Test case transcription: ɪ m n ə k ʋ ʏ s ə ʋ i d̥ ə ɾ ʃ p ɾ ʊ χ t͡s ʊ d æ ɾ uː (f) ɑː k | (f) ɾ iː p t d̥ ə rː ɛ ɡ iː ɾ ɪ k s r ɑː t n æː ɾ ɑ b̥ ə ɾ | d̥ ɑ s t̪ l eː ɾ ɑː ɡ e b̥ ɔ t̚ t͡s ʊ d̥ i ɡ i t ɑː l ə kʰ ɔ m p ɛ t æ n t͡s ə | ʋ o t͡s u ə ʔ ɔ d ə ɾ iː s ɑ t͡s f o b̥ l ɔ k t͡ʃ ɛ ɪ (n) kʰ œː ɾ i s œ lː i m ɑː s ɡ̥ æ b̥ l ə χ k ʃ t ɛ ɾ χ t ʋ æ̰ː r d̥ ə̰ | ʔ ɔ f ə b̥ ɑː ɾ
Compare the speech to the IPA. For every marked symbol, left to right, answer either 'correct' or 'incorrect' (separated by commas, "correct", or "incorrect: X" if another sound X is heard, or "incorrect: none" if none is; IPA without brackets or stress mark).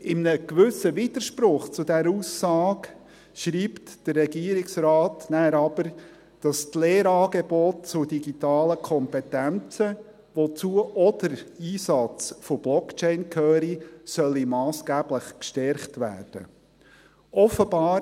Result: incorrect: s, incorrect: ʃ, correct